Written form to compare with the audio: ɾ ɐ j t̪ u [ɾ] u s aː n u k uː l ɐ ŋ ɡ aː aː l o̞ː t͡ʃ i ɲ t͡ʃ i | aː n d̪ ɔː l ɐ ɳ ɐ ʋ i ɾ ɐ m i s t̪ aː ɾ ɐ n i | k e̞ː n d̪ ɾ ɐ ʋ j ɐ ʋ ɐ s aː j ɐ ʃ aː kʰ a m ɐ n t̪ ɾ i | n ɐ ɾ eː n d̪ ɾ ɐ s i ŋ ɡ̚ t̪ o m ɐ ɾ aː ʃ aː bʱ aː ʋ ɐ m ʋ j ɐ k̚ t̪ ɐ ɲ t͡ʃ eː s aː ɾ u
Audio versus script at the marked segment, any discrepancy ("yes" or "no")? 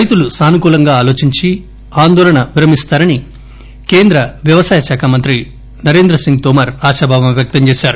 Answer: yes